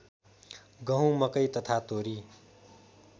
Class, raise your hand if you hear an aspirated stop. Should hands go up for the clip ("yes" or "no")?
yes